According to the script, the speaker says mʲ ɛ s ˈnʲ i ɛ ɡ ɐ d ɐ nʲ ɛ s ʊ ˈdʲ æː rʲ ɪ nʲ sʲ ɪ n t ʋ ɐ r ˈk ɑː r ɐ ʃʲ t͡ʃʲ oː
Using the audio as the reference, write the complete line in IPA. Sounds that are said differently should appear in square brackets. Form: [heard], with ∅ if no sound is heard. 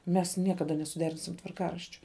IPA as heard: mʲ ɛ s ˈnʲ i ɛ [k] ɐ d ɐ nʲ ɛ s ʊ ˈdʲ æː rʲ ɪ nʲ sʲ ɪ [m] t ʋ ɐ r ˈk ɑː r ɐ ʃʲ t͡ʃʲ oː